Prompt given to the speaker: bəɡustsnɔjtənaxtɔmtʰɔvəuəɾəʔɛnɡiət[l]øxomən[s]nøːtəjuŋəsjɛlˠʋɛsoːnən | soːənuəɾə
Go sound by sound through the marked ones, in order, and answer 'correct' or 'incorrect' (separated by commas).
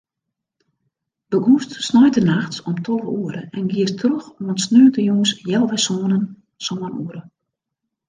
incorrect, correct